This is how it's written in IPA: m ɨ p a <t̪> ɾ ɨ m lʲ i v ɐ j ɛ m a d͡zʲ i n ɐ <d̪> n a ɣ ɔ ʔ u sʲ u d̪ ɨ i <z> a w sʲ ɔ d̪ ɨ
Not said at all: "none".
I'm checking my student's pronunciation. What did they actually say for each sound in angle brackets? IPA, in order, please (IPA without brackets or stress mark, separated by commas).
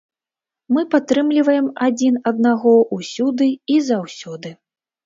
t̪, d̪, z